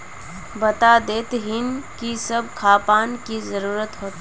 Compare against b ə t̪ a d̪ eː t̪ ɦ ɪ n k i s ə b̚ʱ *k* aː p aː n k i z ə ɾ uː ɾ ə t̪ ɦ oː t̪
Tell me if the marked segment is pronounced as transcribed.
no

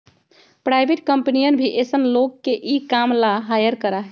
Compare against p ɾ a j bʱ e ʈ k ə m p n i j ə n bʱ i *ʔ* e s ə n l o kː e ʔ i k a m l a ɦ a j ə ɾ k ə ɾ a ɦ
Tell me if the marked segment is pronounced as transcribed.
yes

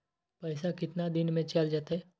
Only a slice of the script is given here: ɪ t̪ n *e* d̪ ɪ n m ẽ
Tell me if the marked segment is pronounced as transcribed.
no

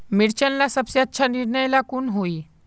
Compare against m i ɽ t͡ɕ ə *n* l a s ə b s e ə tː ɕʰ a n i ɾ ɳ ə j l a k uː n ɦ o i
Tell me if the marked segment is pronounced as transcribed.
yes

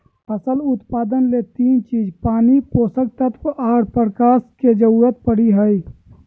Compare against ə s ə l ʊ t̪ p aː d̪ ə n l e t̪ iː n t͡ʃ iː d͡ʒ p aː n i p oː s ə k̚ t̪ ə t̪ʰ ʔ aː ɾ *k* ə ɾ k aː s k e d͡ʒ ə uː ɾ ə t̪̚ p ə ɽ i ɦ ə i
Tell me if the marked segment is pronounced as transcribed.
no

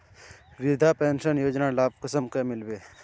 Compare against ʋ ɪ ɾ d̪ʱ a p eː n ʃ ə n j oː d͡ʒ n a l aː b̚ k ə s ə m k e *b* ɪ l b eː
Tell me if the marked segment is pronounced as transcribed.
no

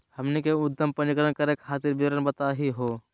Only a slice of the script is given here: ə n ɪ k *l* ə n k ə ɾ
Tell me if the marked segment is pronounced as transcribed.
no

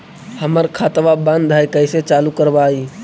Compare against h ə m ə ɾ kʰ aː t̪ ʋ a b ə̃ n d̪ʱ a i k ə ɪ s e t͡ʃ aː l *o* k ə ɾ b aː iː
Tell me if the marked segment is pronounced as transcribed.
no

